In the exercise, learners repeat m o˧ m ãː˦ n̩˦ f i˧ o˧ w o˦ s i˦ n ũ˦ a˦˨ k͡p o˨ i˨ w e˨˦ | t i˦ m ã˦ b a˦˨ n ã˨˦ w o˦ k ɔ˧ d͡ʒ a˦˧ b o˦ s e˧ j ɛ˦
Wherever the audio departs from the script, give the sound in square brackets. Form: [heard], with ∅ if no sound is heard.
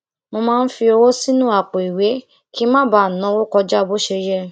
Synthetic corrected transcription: m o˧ m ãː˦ n̩˦ f i˧ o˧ w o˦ s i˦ n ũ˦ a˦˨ k͡p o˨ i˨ w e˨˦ | [k] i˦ m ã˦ b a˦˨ n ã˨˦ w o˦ k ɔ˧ d͡ʒ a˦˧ b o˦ [ʃ] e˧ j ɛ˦